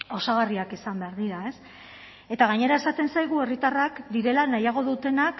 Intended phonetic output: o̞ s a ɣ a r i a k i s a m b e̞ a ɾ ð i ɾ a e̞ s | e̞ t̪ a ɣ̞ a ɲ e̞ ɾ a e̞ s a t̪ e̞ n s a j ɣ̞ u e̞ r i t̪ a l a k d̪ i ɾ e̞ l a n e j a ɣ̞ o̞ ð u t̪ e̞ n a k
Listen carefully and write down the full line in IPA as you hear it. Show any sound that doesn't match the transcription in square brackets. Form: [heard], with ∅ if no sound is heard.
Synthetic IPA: o̞ s a ɣ a r i a k i s a m b e̞ a ɾ ð i ɾ a e̞ s | e̞ t̪ a ɣ̞ a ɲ e̞ ɾ a e̞ s a t̪ e̞ n s a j ɣ̞ u e̞ r i t̪ a [r] a k d̪ i ɾ e̞ l a n [a] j a ɣ̞ o̞ ð u t̪ e̞ n a k